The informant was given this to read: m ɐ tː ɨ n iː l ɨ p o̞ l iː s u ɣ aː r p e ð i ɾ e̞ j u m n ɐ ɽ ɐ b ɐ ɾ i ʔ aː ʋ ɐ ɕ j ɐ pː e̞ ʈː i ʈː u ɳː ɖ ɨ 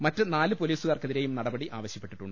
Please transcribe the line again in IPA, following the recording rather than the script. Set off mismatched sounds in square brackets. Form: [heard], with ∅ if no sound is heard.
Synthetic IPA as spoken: m ɐ tː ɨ n [aː] l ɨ p o̞ l iː s u ɣ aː r [k] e ð i ɾ e̞ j u m n ɐ ɽ ɐ b ɐ [ɽ] i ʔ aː ʋ ɐ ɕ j ɐ pː e̞ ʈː i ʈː u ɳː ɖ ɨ